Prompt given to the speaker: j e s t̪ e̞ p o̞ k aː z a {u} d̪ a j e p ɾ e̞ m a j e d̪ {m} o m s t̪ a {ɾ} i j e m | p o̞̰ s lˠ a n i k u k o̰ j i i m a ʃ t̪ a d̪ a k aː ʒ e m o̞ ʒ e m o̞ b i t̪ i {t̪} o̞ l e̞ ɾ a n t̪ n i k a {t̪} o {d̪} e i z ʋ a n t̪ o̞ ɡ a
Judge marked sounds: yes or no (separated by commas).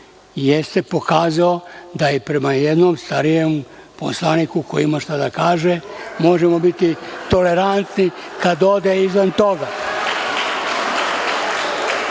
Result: no, no, yes, yes, no, yes